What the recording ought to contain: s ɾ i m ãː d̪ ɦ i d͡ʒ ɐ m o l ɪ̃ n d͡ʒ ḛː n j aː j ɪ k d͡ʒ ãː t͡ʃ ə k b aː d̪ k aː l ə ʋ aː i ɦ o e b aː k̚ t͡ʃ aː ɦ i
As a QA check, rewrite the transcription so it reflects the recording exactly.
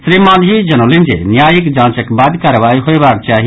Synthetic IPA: s ɾ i m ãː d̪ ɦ i d͡ʒ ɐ n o l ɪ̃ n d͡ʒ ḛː n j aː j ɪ k d͡ʒ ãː t͡ʃ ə k b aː d̪ k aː ɾ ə ʋ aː i ɦ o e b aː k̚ t͡ʃ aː ɦ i

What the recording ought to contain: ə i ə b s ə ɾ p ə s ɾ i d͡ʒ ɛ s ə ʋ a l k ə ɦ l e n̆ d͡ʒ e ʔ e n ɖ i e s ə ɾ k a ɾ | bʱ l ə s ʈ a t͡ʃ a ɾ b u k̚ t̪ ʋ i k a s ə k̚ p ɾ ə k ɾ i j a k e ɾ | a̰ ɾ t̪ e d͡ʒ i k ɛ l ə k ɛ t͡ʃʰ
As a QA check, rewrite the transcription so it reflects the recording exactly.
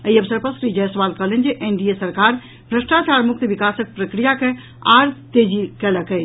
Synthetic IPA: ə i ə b s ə ɾ p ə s ɾ i d͡ʒ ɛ s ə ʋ a l k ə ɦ l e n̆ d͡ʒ e ʔ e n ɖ i e s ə ɾ k a ɾ | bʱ ɾ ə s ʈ a t͡ʃ a ɾ m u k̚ t̪ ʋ i k a s ə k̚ p ɾ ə k ɾ i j a k e | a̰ ɾ t̪ e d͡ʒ i k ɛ l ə k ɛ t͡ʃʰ

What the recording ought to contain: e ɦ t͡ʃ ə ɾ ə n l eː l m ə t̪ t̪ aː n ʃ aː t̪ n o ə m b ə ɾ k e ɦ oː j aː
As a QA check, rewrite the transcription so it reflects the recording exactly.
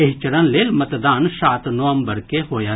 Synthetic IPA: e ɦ t͡ʃ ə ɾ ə n l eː l m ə t̪ d̪ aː n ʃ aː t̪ n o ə m b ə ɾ k e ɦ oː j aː

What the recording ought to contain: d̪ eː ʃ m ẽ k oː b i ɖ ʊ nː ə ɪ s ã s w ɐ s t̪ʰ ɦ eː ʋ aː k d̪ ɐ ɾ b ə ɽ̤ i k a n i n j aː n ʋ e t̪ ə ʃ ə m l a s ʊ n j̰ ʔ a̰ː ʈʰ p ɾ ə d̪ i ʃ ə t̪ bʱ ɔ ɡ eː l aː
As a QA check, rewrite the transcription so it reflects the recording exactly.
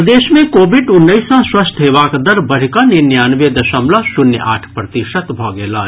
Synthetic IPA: d̪ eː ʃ m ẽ k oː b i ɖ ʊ nː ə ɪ s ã s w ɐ s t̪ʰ ɦ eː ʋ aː k d̪ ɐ ɾ b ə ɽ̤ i k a n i n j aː n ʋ e d̪ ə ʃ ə m l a s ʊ n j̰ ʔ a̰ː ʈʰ p ɾ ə t̪ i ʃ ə t̪ bʱ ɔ ɡ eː l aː

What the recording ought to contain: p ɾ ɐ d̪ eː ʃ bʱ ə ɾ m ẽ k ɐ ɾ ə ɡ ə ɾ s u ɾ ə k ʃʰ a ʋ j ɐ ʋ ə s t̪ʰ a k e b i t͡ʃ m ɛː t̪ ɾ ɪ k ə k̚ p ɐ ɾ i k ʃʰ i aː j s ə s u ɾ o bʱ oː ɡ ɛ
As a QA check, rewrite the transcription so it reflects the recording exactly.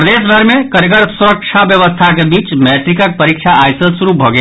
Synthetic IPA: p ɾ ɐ d̪ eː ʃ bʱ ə ɾ m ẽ k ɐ ɾ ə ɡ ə ɾ s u ɾ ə k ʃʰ a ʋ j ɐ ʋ ə s t̪ʰ a k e b iː t͡ʃ m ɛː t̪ ɾ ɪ k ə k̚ p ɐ ɾ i k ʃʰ a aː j s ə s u ɾ u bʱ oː ɡ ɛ

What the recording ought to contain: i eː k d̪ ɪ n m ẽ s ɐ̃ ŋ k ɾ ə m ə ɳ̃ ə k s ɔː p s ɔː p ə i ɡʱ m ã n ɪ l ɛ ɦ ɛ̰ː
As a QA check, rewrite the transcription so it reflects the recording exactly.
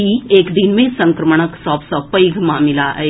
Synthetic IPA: i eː k d̪ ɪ n m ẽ s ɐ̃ ŋ k ɾ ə m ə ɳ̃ ə k s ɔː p s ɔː p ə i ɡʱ m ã m ɪ l a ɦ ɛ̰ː

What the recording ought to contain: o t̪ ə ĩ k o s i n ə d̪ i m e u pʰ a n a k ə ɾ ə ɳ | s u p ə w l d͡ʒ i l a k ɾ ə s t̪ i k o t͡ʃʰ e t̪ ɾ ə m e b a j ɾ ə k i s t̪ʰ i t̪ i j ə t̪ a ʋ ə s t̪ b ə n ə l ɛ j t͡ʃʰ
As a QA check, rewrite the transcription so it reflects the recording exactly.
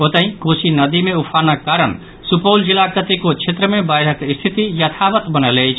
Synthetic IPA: o t̪ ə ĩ k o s i n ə d̪ i m e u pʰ a n a k a ɾ ə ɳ | s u p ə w l d͡ʒ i l a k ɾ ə t̪ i k o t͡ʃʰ e t̪ ɾ ə m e b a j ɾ ə k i s t̪ʰ i t̪ i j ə t̪ʰ a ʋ ə t̪ b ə n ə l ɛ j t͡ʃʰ

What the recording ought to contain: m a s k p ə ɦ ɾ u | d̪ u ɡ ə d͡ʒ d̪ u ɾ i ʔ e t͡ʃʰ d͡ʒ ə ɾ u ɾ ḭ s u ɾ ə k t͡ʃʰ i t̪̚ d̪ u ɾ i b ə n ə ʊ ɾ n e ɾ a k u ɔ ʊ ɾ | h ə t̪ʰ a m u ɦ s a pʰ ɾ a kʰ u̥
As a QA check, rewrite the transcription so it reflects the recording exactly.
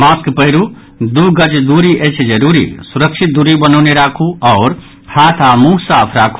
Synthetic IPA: m a s k p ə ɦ ɾ u | d̪ u ɡ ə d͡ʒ d̪ u ɾ i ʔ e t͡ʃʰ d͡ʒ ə ɾ u ɾ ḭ s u ɾ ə k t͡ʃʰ i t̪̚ d̪ u ɾ i b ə n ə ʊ n e ɾ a kʰ u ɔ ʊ ɾ | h a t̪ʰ a m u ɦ s a pʰ ɾ a kʰ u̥

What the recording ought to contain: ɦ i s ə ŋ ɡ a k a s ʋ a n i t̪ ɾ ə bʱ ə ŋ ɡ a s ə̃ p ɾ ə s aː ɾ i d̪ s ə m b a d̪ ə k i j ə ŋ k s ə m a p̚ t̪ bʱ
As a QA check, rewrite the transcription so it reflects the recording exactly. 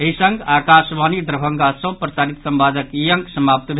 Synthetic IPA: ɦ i s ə ŋ ɡ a k a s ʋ a n i d̪ ɾ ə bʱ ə ŋ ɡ a s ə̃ p ɾ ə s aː ɾ i t̪ s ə m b a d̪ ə k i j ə ŋ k s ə m a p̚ t̪ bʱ

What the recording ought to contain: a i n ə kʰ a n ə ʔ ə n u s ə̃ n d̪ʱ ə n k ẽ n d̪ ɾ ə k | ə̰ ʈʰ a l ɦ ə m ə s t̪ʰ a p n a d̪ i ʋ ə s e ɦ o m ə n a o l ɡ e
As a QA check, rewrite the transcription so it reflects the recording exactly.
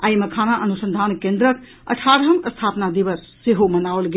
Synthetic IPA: a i m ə kʰ a n a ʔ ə n u s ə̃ n d̪ʱ a n k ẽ n d̪ ɾ ə k | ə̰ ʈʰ a ɾ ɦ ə m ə s t̪ʰ a p n a d̪ i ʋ ə sː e ɦ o m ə n a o l ɡ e

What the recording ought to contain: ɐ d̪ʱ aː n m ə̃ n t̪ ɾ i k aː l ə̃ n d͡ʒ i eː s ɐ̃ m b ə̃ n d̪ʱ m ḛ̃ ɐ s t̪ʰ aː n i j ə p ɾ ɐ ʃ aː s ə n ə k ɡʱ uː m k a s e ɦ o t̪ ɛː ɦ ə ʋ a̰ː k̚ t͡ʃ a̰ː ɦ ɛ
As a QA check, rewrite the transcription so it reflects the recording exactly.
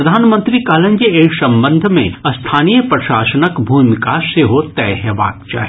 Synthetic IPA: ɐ d̪ʱ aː n m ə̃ n t̪ ɾ i k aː l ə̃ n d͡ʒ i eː s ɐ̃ m b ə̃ n d̪ʱ m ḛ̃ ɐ s t̪ʰ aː n i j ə p ɾ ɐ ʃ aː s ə n ə k bʱ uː m k a s e ɦ o t̪ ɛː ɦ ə ʋ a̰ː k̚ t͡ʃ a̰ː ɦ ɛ

